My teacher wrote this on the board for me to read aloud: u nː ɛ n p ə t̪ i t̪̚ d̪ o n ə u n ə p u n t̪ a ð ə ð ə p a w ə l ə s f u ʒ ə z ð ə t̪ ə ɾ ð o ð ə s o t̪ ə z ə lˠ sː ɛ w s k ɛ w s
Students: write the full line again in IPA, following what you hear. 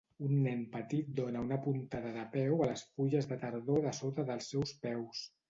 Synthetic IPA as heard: u nː ɛ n p ə t̪ i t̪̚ d̪ o n ə u n ə p u n t̪ a ð ə ð ə p ɛ w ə l ə s f u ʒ ə z ð ə t̪ ə ɾ ð o ð ə s o t̪ ə ð ə lˠ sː ɛ w s p ɛ w s